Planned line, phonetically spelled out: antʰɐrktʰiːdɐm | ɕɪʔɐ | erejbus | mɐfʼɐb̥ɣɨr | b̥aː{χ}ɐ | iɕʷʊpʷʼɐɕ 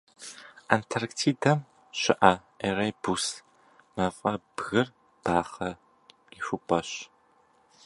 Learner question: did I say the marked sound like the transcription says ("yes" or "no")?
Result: yes